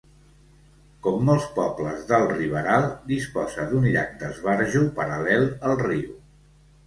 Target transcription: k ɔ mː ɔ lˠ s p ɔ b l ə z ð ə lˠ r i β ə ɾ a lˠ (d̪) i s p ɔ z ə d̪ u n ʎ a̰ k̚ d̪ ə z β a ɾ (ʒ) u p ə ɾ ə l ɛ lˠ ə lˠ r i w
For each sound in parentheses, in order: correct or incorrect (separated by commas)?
correct, correct